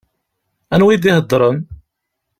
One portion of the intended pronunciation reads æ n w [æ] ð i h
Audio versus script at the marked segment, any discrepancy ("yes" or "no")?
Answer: yes